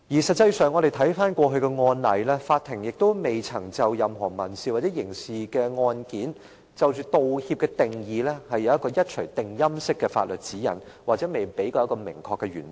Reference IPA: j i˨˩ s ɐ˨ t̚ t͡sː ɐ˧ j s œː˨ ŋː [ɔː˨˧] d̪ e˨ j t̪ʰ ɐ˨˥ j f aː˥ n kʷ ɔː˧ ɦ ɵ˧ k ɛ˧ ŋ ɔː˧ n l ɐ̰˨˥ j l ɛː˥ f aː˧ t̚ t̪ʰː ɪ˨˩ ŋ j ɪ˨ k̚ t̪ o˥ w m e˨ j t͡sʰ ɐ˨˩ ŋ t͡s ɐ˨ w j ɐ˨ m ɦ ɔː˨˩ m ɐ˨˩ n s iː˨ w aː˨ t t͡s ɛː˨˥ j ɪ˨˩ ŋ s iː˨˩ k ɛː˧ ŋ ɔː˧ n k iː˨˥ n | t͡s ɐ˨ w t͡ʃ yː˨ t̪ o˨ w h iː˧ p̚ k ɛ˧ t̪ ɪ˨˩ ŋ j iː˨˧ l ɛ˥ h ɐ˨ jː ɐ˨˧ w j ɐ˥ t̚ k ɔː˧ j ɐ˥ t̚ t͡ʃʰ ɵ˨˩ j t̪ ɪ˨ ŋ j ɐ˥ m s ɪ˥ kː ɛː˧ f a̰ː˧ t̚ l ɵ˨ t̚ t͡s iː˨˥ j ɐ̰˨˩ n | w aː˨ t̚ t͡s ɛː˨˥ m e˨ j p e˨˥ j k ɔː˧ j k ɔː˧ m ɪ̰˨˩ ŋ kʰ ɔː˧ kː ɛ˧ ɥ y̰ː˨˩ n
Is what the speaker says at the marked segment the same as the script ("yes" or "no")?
no